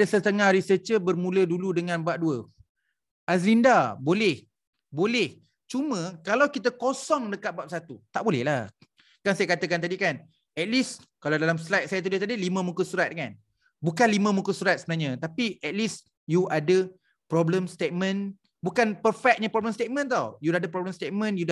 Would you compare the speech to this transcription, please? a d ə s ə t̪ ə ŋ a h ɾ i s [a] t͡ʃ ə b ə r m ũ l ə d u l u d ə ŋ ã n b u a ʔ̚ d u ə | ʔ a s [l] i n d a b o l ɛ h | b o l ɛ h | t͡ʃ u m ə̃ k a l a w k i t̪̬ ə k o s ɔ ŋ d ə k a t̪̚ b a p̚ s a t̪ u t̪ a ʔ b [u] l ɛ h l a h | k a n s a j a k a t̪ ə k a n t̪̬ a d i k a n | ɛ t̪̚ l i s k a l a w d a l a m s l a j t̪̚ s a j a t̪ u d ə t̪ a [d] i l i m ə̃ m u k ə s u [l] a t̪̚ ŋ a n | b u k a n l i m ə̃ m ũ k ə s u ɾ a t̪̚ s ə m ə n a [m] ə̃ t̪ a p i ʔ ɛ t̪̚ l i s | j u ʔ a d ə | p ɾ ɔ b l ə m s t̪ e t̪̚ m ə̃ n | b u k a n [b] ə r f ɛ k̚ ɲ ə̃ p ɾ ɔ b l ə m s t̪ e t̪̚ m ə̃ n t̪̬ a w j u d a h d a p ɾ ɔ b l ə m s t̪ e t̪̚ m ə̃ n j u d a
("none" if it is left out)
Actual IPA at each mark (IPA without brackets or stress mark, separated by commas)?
ə, l, o, d, ɾ, ɲ, p